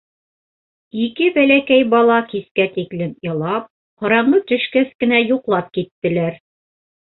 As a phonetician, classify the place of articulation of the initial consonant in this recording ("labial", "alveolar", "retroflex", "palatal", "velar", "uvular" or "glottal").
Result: velar